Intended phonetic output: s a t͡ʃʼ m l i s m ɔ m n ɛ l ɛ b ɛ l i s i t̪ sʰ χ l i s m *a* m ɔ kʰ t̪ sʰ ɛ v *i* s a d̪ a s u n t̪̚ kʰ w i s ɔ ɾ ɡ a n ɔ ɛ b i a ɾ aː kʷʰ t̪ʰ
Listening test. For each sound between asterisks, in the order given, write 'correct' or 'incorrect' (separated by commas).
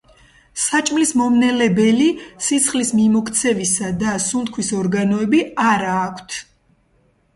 incorrect, correct